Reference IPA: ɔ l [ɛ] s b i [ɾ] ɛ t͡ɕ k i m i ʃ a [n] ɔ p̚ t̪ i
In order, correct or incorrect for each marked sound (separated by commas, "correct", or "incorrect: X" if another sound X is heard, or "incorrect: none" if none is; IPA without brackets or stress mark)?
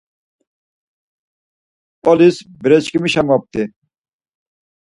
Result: incorrect: i, correct, incorrect: m